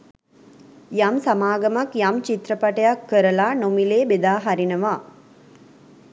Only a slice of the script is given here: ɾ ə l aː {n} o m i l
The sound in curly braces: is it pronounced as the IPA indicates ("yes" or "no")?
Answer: yes